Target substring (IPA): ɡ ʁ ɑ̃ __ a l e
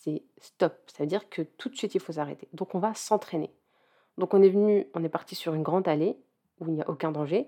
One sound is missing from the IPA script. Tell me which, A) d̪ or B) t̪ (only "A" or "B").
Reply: A